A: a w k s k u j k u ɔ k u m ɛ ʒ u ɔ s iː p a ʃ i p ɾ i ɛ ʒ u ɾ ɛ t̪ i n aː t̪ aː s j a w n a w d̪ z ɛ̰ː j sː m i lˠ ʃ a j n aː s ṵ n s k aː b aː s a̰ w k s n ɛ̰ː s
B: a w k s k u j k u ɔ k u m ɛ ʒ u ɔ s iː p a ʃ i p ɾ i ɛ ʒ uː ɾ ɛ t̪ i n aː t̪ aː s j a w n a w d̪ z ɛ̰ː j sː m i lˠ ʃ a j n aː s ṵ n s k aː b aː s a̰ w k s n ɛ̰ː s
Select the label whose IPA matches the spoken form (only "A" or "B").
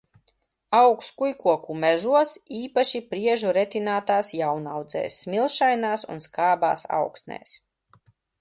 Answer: A